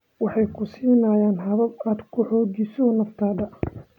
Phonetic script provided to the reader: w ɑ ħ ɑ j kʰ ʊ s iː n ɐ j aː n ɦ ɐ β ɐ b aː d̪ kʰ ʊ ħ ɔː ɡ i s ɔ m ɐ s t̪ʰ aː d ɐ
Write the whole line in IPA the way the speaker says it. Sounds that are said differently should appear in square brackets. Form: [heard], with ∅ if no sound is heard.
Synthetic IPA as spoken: w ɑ ħ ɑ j kʰ ʊ s iː n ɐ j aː n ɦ ɐ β ɐ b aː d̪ kʰ ʊ ħ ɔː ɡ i s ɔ [n] ɐ [f] t̪ʰ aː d ɐ